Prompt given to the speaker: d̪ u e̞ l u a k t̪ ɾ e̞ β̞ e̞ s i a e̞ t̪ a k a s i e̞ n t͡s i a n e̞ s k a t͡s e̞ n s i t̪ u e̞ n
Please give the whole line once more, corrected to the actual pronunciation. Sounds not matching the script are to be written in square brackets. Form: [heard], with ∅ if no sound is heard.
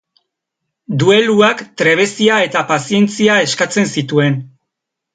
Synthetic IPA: d̪ u e̞ l u a k t̪ ɾ e̞ β̞ e̞ s i a e̞ t̪ a [p] a s i e̞ n t͡s i a [∅] e̞ s k a t͡s e̞ n s i t̪ u e̞ n